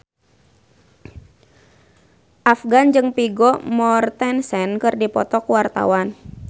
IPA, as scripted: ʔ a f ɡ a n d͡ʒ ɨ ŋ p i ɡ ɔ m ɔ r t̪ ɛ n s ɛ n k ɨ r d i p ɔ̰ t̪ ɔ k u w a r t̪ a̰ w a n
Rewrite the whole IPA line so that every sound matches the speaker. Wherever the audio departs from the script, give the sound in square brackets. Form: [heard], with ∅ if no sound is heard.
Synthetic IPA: ʔ a f ɡ a n d͡ʒ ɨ ŋ p i ɡ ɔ m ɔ r t̪ ɛ n s ɛ n k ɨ r d i p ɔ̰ t̪ ɔ k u w a r t̪ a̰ w a n

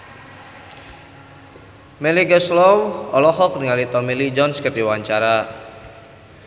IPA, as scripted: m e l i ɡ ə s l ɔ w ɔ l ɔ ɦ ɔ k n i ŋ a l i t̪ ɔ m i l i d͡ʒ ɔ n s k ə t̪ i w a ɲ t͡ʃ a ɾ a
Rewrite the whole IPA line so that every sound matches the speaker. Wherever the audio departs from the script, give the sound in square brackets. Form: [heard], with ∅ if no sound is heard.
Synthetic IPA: m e l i ɡ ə s l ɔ w ɔ l ɔ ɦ ɔ k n i ŋ a l i t̪ ɔ m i l i d͡ʒ ɔ n s k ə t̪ i w a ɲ t͡ʃ a ɾ a

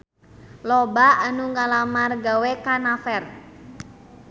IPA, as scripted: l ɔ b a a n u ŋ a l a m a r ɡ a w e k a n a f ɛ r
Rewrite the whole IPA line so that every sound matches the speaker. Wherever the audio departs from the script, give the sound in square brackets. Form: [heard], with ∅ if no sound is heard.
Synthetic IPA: l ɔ b a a n u ŋ a l a m a r ɡ a w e k a n a f ɛ r

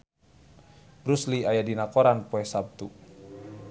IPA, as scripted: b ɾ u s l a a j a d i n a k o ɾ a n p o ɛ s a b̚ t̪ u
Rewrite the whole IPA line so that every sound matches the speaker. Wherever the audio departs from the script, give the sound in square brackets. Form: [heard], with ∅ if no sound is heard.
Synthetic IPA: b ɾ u s l [i] a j a d i n a k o ɾ a n p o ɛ s a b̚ t̪ u

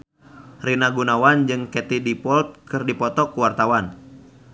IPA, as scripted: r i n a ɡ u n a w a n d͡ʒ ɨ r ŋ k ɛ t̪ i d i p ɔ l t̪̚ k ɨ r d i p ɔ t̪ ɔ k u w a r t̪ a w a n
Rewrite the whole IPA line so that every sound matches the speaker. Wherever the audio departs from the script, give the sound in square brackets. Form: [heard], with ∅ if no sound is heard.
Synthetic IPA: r i n a ɡ u n a w a n d͡ʒ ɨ [∅] ŋ k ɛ t̪ i d i p ɔ l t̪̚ k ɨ r d i p ɔ t̪ ɔ k u w a r t̪ a w a n

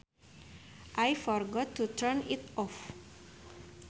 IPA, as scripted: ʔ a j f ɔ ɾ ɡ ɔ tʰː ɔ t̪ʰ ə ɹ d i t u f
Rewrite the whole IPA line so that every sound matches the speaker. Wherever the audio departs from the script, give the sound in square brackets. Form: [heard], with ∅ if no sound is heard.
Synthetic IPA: ʔ a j f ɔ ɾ ɡ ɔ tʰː [u] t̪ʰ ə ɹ [n] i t [ɔ] f

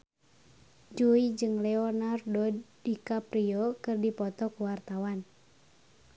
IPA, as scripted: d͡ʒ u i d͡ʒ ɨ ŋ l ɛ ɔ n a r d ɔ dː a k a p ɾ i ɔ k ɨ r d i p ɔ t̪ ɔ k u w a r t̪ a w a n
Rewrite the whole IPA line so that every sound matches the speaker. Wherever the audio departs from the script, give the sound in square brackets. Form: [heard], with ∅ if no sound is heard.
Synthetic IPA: d͡ʒ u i d͡ʒ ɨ ŋ l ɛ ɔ n a r d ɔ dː [i] k a p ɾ i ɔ k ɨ r d i p ɔ t̪ ɔ k u w a r t̪ a w a n

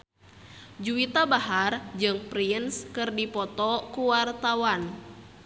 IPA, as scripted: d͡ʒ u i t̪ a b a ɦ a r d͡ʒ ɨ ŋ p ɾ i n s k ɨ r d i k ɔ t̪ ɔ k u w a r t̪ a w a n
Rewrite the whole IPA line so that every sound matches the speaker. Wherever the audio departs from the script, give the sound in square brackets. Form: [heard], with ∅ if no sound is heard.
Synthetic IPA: d͡ʒ u i t̪ a b a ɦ a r d͡ʒ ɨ ŋ p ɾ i n s k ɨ r d i [p] ɔ t̪ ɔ k u w a r t̪ a w a n

